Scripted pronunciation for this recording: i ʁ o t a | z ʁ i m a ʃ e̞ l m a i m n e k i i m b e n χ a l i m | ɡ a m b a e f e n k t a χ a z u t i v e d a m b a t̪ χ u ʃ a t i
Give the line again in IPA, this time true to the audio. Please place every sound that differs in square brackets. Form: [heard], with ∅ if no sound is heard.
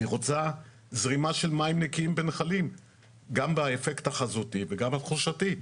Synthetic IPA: i ʁ o [t͡s] a | z ʁ i m a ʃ e̞ l m a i m n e k i i m b e n χ a l i m | ɡ a m b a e f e [∅] k t a χ a z u t i v e [ɡ] a m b a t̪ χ u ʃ a t i

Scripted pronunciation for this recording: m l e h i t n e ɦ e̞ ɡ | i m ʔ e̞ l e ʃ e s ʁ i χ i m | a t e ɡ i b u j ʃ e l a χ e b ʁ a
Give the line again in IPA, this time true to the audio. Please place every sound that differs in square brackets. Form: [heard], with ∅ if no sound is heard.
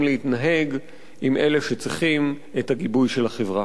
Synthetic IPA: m l e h i t n [a] ɦ e̞ ɡ | i m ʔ e̞ l e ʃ e [t͡s] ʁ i χ i m | [e] t [a] ɡ i b u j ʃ e l a χ e [v] ʁ a

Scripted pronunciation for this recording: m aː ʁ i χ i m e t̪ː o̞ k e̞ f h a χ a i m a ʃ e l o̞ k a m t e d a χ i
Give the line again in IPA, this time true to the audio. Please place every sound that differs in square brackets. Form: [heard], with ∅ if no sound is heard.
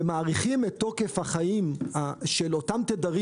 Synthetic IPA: m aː ʁ i χ i m e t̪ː o̞ k e̞ f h a χ a i m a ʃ e l o̞ [t] a m t e d a [ʁ] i

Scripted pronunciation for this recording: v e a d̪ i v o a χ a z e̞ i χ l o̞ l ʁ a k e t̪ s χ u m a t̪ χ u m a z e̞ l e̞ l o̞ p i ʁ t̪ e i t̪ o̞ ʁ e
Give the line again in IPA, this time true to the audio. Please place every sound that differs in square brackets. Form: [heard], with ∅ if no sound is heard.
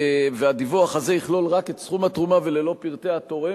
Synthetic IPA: v e a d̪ i v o a χ a z e̞ i χ l o̞ l ʁ a k e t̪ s χ u m a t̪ [ʁ] u m a [v] e̞ l e̞ l o̞ p i ʁ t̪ e [a] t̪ o̞ ʁ e

